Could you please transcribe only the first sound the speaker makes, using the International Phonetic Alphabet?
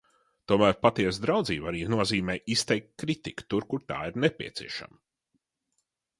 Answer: t̪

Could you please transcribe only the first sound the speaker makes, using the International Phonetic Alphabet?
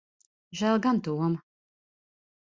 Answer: ʒ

